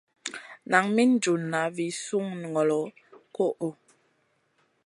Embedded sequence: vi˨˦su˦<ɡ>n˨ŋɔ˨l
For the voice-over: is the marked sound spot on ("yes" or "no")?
no